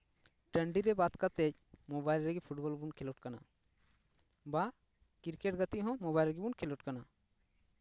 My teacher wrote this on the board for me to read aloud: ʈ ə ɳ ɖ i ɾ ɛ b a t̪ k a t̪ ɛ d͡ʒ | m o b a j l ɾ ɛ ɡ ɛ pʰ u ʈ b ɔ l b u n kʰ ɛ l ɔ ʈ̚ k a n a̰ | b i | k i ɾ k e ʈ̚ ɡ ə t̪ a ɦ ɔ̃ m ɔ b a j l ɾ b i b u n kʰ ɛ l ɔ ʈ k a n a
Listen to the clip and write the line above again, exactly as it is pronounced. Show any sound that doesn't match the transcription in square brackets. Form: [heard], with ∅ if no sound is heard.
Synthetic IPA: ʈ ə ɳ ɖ i ɾ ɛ b a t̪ k a t̪ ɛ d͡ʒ | m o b a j l ɾ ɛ ɡ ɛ pʰ u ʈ b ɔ l b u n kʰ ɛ l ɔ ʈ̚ k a n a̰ | b [a] | k i ɾ k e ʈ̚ ɡ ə t̪ [i] ɦ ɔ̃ m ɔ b a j l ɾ [ɡ] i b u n kʰ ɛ l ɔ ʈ k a n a